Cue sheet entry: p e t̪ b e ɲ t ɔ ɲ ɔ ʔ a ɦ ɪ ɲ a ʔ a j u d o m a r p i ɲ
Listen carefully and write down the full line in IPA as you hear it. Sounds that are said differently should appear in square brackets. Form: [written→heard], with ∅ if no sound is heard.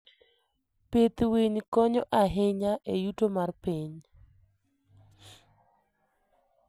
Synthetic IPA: p e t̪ [b→w] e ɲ [t→k] ɔ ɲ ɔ ʔ a ɦ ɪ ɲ a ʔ [a→e] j u [d→t] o m a r p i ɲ